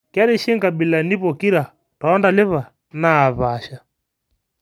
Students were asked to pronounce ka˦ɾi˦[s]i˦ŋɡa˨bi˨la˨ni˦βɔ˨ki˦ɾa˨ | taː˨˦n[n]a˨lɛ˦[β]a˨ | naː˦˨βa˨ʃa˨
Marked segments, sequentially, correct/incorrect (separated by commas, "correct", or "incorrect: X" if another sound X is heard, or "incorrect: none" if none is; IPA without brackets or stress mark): incorrect: ʃ, incorrect: d, correct